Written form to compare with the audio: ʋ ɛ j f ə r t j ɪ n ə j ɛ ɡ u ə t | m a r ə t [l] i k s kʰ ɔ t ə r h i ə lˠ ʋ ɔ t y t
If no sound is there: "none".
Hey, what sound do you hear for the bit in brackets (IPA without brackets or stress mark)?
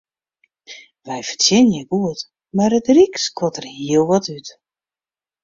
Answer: r